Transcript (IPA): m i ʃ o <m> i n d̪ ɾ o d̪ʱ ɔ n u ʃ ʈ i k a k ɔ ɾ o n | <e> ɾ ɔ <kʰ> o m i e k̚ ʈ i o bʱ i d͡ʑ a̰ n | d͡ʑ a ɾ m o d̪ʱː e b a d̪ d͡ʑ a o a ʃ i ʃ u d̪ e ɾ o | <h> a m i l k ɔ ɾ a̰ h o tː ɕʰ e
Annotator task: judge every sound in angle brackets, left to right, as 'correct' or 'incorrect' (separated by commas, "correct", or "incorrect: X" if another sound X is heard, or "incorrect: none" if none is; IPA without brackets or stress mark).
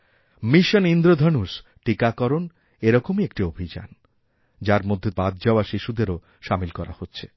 incorrect: n, correct, incorrect: k, incorrect: ʃ